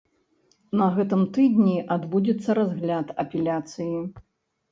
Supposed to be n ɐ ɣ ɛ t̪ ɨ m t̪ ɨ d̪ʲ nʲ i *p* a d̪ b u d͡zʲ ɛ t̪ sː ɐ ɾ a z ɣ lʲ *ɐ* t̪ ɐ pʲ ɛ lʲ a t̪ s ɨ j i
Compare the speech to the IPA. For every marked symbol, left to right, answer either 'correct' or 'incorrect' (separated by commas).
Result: incorrect, incorrect